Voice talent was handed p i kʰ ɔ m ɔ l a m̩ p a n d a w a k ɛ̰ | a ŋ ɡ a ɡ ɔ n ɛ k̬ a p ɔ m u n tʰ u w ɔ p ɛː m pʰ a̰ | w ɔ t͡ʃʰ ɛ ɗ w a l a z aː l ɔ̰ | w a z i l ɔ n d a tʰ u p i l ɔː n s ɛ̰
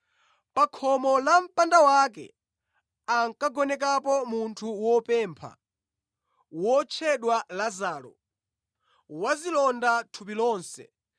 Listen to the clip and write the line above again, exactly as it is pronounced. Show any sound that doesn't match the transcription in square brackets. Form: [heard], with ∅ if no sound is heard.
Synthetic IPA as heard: p [a] kʰ ɔ m ɔ l a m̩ p a n d a w a k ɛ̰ | a ŋ [k] a ɡ ɔ n ɛ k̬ a p ɔ m u n tʰ u w ɔ p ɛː m pʰ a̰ | w ɔ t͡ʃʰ ɛ ɗ w a l a z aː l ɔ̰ | w a z i l ɔ n d a tʰ u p i l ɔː n s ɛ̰